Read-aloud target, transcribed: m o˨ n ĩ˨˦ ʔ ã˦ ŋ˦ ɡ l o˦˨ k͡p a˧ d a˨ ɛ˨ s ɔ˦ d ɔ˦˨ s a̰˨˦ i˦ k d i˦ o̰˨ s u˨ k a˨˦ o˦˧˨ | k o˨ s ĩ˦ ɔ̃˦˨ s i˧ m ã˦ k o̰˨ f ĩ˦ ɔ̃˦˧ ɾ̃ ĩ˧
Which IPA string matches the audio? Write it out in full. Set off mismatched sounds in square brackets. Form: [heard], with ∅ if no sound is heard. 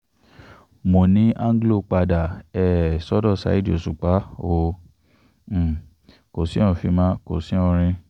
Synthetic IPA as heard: m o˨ n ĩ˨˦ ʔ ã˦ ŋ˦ ɡ l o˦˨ k͡p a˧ d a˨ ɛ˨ s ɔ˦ d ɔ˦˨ s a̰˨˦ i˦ [∅] d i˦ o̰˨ s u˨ [k͡p] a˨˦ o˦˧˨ | k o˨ s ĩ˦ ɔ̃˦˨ [f] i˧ m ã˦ k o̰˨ [s] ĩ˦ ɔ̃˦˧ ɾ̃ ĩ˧